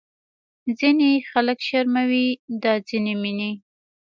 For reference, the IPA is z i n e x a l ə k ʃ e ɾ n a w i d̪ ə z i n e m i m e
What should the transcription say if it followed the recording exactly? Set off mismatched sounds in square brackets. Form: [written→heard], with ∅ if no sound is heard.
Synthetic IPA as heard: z i n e x a l ə k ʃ [e→a] ɾ [n→m] a w i d̪ [ə→ɑ] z i n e m i [m→n] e